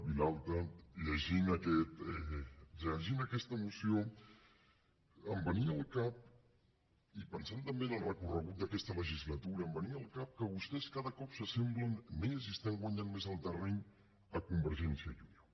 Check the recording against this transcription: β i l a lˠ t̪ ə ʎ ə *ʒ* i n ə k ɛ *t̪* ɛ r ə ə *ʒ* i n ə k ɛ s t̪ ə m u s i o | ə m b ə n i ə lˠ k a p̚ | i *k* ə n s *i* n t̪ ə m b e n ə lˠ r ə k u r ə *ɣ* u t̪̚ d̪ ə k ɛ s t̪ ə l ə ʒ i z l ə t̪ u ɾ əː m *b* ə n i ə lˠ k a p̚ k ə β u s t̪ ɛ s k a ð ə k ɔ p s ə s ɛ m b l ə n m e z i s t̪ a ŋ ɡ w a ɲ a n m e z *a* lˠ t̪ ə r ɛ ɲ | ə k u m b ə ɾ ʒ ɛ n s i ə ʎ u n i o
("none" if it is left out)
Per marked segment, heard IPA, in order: ʒ, t̪, ʒ, p, a, ɣ, b, ə

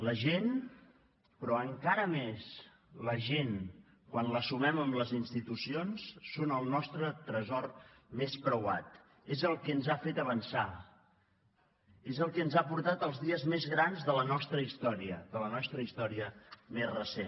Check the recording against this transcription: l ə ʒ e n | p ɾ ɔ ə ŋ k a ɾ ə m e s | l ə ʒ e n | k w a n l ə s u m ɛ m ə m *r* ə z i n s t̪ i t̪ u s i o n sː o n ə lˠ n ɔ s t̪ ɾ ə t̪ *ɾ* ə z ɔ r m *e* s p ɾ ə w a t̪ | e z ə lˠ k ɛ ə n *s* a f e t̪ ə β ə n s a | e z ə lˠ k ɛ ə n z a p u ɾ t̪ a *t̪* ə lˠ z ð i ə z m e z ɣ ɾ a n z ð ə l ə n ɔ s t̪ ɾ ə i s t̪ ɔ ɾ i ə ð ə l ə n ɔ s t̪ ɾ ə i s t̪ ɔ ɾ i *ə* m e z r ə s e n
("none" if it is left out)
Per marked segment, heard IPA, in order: l, ɾ, e, z, t̪, ə

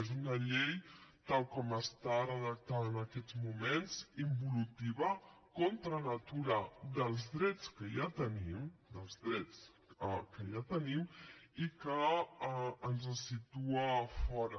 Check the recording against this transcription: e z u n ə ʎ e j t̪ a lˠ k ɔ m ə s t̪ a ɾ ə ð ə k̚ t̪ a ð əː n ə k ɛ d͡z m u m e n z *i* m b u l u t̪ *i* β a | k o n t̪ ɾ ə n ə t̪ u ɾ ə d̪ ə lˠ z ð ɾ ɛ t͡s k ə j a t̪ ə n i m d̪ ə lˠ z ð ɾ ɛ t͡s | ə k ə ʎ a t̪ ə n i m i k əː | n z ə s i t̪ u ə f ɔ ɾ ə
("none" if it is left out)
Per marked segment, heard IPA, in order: i, i

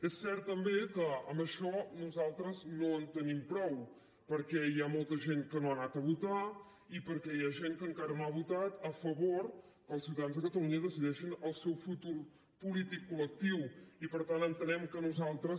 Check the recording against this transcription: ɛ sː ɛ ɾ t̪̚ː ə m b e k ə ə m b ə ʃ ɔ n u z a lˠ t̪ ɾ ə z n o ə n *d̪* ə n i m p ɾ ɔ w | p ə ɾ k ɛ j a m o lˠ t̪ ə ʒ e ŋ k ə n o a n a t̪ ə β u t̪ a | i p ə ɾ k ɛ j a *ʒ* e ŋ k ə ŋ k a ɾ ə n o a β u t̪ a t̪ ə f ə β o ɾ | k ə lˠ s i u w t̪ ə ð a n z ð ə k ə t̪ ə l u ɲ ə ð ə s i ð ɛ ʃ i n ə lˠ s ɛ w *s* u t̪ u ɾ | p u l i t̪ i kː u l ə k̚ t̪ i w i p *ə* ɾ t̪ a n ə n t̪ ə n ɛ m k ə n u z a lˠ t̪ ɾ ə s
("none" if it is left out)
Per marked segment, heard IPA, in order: t̪, ʒ, f, ə

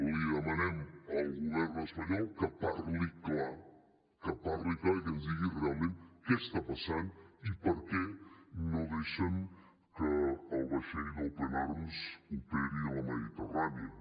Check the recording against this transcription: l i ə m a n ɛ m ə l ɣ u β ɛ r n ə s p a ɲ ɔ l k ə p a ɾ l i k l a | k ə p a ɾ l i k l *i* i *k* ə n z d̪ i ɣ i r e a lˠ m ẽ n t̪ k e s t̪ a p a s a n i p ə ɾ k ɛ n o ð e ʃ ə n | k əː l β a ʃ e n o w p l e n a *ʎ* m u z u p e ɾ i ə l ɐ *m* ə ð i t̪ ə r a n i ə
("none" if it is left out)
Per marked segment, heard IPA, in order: a, k, ɾ, m

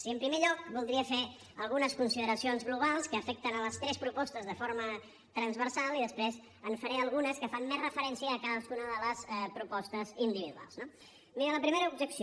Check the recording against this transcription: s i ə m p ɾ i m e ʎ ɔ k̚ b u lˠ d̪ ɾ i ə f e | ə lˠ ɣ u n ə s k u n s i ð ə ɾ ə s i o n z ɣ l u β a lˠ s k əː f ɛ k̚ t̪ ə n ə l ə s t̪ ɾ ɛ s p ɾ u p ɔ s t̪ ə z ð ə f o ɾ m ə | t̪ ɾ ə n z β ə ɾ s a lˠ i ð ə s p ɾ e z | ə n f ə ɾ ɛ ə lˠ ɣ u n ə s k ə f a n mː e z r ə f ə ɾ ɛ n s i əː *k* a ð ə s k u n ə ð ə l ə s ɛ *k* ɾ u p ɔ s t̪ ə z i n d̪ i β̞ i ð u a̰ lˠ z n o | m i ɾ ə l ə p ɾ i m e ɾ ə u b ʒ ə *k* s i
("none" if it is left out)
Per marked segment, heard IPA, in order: k, p, k

